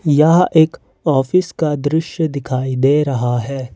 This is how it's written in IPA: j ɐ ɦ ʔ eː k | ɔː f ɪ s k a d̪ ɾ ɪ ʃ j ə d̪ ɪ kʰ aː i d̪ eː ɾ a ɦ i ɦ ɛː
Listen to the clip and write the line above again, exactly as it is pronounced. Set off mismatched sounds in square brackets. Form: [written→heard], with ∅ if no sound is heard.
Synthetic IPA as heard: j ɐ ɦ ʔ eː k | ɔː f ɪ s k a d̪ ɾ ɪ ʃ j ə d̪ ɪ kʰ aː i d̪ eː ɾ [a→ɐ] ɦ [i→a] ɦ ɛː